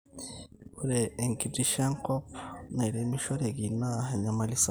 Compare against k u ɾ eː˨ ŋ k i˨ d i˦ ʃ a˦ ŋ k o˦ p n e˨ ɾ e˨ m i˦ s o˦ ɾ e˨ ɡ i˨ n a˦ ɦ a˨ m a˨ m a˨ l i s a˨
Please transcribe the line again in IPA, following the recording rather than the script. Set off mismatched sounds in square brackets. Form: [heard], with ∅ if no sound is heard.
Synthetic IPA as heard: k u ɾ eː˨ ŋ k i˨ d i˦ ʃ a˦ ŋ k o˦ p n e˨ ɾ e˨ m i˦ [ʃ] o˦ ɾ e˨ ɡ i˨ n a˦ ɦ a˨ [ɲ] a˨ m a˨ l i s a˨